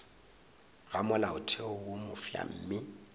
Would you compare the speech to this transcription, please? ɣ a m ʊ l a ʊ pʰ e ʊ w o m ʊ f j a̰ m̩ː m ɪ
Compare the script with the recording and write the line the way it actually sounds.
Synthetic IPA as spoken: ɣ a m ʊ l a ʊ tʰ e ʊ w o m ʊ f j a̰ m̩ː m ɪ